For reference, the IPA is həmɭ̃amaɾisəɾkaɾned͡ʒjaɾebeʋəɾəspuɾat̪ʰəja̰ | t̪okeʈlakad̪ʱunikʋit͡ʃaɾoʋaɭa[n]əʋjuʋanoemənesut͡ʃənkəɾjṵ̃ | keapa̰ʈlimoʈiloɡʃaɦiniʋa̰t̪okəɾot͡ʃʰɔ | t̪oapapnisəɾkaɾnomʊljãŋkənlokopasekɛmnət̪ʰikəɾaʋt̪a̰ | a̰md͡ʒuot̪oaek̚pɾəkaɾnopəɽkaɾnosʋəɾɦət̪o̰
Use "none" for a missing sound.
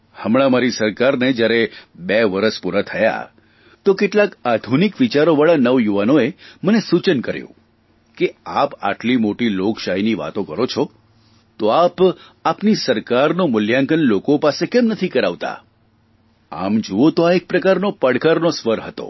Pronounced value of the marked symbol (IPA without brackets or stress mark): n